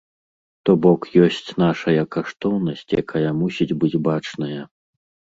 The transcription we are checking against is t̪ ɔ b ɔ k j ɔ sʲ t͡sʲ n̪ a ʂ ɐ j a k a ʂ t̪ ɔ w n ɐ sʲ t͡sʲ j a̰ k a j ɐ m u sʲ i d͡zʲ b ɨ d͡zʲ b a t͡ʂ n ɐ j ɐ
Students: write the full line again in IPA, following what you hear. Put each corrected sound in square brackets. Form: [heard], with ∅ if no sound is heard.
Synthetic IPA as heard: t̪ ɔ b ɔ k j ɔ sʲ t͡sʲ n̪ a ʂ ɐ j [ɐ] k a ʂ t̪ ɔ w n ɐ sʲ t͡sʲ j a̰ k a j ɐ m u sʲ i d͡zʲ b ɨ d͡zʲ b a t͡ʂ n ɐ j ɐ